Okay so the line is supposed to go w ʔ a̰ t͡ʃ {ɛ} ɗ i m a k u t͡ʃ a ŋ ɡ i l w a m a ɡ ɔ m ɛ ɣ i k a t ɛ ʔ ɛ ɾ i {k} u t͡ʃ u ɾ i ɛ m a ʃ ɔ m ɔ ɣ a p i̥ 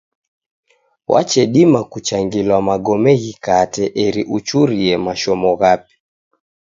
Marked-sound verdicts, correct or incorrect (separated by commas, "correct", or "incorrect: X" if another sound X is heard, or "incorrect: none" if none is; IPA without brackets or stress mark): correct, incorrect: ʔ